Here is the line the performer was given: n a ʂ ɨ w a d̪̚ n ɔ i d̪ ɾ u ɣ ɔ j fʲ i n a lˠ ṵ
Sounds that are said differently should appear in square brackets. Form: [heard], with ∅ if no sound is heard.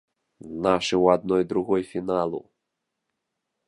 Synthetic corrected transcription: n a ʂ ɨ w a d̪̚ n ɔ [j] d̪ ɾ u ɣ ɔ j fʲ i n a lˠ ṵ